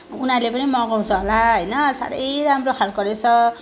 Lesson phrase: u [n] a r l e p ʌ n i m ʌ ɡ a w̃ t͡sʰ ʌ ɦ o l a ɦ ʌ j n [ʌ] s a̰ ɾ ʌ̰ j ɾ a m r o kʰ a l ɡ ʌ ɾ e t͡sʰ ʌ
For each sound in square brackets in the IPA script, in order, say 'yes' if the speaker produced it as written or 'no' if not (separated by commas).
yes, yes